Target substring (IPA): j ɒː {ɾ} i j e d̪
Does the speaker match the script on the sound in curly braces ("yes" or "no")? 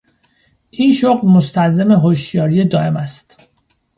yes